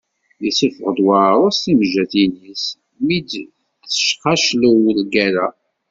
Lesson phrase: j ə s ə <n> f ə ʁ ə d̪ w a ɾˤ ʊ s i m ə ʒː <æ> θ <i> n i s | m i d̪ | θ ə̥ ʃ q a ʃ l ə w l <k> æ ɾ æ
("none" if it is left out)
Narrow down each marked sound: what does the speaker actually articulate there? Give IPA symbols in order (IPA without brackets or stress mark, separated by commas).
none, æ, i, ɡ